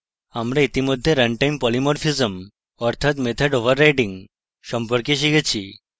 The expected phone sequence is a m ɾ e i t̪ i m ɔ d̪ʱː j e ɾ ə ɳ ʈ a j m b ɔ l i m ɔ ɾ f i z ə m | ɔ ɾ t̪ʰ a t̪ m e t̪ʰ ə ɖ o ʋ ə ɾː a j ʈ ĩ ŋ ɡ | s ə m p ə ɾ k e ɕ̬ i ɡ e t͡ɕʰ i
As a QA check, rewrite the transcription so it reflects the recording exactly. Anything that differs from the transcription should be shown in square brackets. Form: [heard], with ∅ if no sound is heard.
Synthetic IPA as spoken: a m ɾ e i t̪ i m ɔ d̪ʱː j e ɾ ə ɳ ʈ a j m [p] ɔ l i m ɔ ɾ f i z ə m | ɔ ɾ t̪ʰ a t̪ m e t̪ʰ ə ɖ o ʋ ə ɾː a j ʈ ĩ ŋ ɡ | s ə m p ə ɾ k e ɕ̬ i ɡ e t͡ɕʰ i